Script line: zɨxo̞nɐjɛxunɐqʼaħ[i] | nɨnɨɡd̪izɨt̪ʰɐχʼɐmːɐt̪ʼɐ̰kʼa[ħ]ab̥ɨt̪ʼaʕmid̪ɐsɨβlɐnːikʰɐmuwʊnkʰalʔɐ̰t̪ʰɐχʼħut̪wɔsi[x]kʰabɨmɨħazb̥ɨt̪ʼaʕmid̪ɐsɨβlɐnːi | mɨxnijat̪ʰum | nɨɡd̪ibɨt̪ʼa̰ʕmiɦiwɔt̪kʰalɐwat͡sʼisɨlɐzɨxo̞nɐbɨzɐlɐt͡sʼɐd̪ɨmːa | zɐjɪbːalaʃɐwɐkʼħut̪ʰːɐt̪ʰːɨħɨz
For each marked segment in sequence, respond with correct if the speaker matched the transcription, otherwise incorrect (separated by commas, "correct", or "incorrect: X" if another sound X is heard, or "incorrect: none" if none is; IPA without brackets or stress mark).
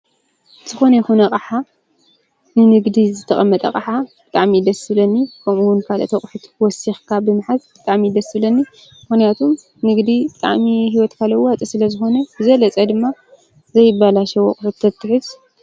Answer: incorrect: a, correct, correct